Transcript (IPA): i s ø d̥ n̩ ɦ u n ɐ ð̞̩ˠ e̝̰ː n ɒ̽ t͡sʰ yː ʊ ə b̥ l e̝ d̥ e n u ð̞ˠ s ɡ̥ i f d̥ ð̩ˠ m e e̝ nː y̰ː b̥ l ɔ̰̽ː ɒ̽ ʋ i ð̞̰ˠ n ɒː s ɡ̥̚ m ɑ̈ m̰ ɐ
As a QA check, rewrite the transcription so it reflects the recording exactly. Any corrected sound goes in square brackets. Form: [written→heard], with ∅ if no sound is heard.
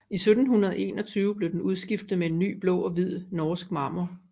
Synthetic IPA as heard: i s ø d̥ n̩ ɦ u n ɐ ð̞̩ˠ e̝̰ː n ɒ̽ t͡sʰ yː ʊ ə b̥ l e̝ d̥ e n u ð̞ˠ s ɡ̥ i f d̥ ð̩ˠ m e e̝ nː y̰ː b̥ l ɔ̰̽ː ɒ̽ ʋ i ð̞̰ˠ n ɒː s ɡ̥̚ m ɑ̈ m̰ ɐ

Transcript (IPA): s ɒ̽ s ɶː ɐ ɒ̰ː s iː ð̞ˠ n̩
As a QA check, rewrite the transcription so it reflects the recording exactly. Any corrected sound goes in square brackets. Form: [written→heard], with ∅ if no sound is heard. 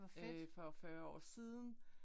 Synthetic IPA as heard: [s→f] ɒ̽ [s→f] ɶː ɐ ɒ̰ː s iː ð̞ˠ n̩

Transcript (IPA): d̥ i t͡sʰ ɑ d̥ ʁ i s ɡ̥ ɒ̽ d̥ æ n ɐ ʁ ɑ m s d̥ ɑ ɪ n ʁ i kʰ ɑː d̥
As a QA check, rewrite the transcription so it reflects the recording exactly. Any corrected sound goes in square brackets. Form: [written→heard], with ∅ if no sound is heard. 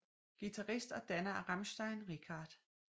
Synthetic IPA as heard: [d̥→ɡ̥] i t͡sʰ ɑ [d̥→∅] ʁ i s [ɡ̥→d̥] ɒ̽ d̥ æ n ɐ ʁ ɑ m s d̥ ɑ ɪ n ʁ i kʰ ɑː d̥

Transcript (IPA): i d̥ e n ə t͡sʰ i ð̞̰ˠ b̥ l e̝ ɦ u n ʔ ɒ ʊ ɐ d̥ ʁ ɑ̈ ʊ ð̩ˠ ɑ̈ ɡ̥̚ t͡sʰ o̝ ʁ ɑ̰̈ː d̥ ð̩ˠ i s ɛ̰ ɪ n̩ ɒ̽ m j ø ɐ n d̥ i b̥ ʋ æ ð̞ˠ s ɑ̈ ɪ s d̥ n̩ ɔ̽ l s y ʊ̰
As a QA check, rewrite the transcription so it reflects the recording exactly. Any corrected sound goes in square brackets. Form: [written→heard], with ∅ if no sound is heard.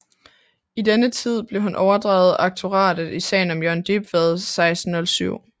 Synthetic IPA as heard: i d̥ e n ə t͡sʰ i ð̞̰ˠ b̥ l e̝ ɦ u n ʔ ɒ ʊ ɐ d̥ ʁ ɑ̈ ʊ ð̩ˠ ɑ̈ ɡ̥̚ t͡sʰ o̝ ʁ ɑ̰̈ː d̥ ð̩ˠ i s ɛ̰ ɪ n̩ ɒ̽ m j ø ɐ n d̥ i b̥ ʋ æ ð̞ˠ s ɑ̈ ɪ s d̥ n̩ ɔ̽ l s y ʊ̰

